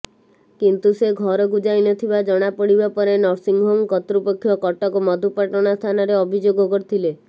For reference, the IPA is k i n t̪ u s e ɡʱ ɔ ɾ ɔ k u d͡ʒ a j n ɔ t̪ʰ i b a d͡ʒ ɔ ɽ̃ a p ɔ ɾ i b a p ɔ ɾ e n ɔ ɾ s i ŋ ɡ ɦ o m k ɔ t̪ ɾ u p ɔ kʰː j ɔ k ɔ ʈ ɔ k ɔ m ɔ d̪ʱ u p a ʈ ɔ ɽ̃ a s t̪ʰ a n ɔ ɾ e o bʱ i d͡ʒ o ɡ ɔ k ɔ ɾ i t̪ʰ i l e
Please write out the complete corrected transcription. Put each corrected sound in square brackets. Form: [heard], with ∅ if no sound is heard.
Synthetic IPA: k i n t̪ u s e ɡʱ ɔ ɾ ɔ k u d͡ʒ a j n ɔ t̪ʰ i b a d͡ʒ ɔ ɽ̃ a p ɔ [ɽ] i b a p ɔ ɾ e n ɔ ɾ s i ŋ ɡ ɦ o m k ɔ t̪ ɾ u p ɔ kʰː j ɔ k ɔ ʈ ɔ k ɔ m ɔ d̪ʱ u p a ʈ ɔ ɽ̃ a s t̪ʰ a n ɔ ɾ e [ɔ] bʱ i d͡ʒ o ɡ ɔ k ɔ ɾ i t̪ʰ i l e